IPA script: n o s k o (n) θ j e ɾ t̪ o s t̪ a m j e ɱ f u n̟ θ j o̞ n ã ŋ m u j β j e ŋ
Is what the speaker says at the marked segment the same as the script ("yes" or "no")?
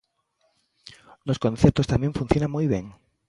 yes